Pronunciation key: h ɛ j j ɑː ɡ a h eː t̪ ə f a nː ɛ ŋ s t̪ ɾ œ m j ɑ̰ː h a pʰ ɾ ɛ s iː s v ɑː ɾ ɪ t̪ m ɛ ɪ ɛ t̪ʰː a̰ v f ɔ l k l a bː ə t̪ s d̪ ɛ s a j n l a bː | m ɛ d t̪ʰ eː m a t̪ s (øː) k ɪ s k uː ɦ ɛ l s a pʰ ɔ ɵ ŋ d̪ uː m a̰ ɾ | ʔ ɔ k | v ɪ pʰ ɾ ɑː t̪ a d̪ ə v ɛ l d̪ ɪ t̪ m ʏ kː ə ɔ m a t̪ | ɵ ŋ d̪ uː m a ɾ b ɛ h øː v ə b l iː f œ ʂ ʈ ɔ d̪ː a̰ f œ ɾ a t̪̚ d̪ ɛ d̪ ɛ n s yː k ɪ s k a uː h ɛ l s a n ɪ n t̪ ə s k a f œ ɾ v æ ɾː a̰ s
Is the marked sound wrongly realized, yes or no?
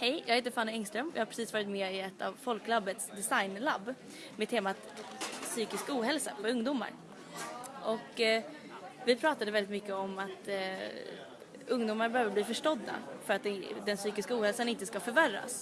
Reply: yes